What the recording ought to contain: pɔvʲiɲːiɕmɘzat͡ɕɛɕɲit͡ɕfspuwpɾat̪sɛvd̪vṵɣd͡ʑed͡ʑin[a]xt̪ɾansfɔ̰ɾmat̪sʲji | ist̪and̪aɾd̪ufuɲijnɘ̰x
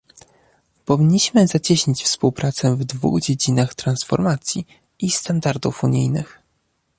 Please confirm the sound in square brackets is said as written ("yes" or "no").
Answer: yes